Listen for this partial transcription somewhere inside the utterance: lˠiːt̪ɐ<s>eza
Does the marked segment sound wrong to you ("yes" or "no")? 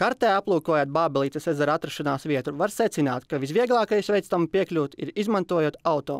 no